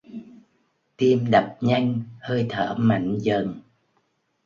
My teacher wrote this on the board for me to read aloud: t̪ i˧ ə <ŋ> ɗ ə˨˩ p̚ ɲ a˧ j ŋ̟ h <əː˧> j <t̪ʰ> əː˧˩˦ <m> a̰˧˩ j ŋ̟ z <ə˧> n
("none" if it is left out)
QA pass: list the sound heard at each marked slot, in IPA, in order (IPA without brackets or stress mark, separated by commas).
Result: m, əː˧, t̪ʰ, m, ə˨˩